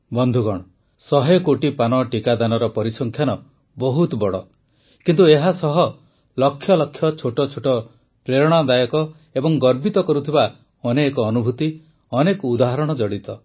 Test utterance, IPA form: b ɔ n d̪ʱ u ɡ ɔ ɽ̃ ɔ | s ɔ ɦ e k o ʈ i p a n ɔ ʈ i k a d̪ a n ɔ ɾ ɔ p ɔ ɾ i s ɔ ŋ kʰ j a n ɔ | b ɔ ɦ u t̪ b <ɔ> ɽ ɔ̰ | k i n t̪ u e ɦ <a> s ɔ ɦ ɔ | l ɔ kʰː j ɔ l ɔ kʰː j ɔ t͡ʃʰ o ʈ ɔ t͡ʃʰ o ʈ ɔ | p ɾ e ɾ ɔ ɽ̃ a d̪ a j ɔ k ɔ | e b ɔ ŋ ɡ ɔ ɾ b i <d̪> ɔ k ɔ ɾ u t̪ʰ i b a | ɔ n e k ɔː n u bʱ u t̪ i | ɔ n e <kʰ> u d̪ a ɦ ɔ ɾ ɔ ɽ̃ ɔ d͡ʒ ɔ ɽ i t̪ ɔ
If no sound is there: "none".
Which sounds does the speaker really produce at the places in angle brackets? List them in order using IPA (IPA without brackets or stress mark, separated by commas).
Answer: ɔ, a, t̪, k